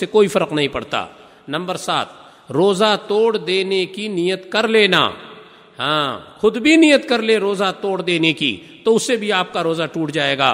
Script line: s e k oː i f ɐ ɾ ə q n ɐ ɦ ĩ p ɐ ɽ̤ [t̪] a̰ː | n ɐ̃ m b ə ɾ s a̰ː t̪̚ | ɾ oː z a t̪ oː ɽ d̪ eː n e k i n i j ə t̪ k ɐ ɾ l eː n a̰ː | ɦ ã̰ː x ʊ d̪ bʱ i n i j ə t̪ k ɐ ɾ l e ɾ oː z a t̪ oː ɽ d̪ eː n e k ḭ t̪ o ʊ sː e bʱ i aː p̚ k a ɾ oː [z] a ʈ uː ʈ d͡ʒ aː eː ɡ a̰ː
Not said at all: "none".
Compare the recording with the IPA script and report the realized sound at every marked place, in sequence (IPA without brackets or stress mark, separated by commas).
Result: t̪, z